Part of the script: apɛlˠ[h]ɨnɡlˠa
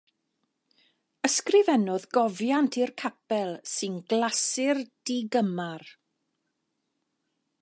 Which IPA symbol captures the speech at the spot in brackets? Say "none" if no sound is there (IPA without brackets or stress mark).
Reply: s